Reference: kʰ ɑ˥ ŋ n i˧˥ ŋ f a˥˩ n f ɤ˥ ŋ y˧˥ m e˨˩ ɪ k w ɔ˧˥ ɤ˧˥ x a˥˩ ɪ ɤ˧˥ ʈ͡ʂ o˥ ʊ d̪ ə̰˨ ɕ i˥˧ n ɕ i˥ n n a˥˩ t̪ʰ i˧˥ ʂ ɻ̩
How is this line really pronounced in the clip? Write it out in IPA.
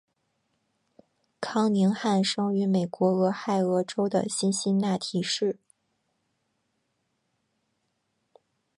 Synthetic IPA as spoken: kʰ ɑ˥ ŋ n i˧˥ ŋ x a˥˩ n ʂ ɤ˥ ŋ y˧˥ m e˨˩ ɪ k w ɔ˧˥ ɤ˧˥ x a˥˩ ɪ ɤ˧˥ ʈ͡ʂ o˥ ʊ d̪ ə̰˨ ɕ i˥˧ n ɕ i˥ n n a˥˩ t̪ʰ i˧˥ ʂ ɻ̩